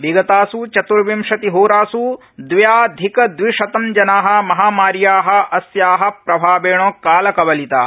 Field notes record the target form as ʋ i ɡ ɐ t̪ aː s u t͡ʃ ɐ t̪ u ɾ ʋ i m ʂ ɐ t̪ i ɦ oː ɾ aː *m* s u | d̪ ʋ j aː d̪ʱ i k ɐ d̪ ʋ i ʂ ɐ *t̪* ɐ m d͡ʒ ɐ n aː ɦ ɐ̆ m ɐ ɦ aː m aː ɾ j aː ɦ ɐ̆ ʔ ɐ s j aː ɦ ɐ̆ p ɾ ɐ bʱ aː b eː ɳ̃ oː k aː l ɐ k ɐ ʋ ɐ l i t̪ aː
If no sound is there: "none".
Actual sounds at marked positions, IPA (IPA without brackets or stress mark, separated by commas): none, t̪